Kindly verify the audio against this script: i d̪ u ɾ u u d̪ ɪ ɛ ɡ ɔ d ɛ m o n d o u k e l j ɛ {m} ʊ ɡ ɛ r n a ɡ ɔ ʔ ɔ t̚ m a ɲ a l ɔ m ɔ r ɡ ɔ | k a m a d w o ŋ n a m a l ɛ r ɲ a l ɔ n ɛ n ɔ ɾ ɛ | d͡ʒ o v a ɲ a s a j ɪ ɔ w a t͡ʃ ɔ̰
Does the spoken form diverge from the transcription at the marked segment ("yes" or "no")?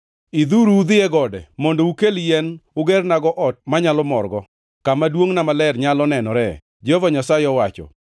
yes